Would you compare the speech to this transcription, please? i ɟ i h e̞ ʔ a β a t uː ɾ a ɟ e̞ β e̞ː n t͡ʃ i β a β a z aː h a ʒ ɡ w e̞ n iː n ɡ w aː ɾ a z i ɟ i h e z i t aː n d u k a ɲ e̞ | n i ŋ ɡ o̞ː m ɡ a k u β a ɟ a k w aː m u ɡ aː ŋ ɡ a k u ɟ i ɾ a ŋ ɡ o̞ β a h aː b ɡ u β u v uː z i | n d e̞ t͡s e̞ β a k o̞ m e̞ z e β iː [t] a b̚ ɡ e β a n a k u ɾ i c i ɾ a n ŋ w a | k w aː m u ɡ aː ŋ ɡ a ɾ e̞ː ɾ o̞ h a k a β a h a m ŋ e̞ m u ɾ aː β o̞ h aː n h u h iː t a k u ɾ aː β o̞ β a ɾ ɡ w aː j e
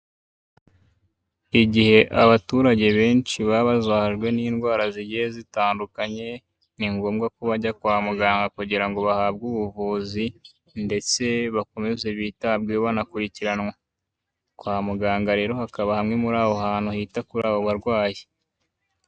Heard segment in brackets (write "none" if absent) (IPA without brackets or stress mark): t